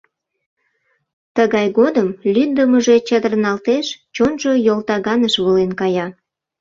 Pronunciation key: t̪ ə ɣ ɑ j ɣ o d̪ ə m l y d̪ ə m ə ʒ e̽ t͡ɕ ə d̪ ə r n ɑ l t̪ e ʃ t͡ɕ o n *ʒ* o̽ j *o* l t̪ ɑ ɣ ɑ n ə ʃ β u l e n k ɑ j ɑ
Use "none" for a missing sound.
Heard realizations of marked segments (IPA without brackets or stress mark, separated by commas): ʒ, o